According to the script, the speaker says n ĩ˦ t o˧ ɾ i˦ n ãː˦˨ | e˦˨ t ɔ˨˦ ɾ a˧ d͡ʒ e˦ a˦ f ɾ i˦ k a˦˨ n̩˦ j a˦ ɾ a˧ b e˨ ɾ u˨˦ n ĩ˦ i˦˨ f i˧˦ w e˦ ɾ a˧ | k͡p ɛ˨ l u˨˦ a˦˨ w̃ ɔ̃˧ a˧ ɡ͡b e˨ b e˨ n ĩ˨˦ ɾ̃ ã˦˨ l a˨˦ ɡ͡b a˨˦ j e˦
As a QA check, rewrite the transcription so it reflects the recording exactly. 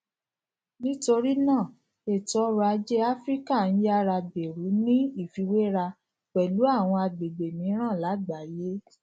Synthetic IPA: n ĩ˦ t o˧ ɾ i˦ n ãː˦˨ | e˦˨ t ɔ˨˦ ɾ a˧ d͡ʒ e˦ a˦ f ɾ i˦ k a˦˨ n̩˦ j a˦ ɾ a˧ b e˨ ɾ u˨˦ n ĩ˦ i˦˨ f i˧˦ w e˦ ɾ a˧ | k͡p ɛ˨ l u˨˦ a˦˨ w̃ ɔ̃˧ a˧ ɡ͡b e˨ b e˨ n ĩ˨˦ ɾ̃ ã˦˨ l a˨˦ ɡ͡b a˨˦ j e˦

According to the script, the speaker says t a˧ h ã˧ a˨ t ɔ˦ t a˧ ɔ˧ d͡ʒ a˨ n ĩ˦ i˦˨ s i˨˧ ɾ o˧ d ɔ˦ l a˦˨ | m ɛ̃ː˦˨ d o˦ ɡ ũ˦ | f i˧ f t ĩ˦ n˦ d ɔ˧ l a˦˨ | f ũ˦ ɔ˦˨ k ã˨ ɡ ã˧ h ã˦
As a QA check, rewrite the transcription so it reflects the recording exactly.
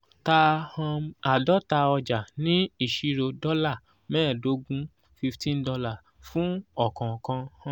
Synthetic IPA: t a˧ h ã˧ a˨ d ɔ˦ t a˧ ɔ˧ d͡ʒ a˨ n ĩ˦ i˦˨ ʃ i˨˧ ɾ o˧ d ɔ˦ l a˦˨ | m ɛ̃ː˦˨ d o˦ ɡ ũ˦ | f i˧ f t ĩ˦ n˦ d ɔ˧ l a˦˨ | f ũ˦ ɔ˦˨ k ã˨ k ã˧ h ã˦

